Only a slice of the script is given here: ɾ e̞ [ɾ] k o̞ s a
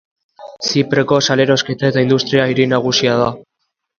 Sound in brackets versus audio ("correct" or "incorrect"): incorrect